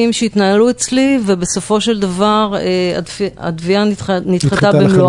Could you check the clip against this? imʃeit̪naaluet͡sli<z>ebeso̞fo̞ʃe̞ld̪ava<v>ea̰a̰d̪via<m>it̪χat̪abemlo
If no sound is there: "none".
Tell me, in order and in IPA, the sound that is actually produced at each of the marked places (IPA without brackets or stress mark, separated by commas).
v, ʁ, n